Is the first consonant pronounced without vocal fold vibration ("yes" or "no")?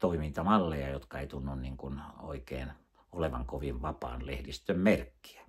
yes